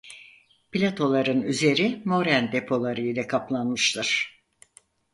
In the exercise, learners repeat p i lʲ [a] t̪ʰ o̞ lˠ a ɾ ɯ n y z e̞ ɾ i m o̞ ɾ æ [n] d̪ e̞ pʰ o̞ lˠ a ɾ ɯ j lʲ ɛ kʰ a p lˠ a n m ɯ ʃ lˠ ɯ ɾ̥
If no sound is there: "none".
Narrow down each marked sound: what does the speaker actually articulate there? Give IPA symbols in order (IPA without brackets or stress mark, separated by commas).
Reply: a, n